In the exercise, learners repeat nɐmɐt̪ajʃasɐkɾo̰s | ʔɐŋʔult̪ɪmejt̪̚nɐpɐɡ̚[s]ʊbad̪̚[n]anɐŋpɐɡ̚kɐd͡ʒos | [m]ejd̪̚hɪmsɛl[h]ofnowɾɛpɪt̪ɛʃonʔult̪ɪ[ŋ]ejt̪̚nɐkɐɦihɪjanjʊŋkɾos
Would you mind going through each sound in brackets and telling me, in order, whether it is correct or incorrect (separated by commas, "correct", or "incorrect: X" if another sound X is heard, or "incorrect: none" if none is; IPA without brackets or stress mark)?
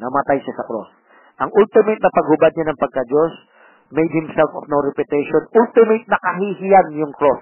incorrect: h, incorrect: ɲ, correct, incorrect: f, incorrect: m